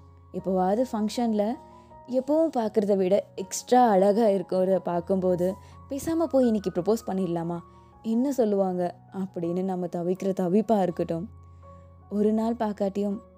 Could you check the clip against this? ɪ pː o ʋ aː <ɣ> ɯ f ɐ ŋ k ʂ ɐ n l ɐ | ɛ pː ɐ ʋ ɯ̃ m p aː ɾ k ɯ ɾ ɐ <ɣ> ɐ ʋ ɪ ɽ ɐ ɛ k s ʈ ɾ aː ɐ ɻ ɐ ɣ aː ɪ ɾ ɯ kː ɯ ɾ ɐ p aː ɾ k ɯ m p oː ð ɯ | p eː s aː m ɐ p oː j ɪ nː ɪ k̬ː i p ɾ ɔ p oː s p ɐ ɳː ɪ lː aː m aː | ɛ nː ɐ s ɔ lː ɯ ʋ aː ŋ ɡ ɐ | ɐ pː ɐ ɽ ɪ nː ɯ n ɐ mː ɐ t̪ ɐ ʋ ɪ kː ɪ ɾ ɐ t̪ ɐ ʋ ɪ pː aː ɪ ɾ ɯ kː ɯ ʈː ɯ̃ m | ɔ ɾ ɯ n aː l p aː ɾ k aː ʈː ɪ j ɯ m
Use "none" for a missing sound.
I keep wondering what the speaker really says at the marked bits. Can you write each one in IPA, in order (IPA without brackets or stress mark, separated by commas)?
ð, ð